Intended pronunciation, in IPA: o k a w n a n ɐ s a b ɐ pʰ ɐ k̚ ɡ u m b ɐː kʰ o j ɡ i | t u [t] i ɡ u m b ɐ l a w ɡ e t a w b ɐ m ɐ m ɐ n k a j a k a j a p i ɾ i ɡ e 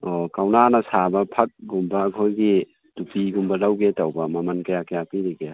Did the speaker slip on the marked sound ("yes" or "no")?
yes